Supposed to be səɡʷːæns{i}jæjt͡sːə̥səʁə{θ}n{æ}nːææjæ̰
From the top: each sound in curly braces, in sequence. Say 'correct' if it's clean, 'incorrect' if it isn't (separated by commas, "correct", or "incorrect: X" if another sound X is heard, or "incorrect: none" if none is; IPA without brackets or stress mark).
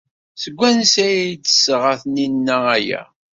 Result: incorrect: æ, correct, incorrect: i